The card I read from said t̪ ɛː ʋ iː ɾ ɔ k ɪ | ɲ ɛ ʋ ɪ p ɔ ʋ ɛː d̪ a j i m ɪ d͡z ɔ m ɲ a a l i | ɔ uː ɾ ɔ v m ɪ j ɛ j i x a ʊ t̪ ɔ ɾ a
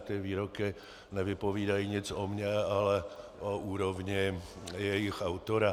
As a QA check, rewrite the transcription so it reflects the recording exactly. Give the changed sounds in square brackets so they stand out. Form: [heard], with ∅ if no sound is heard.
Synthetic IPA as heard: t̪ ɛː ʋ iː ɾ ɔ k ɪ | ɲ ɛ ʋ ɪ p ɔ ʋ [iː] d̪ a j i [ɲ] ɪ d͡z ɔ m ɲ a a l [ɛ] | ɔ uː ɾ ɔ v [ɲ] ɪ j ɛ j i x a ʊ t̪ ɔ ɾ a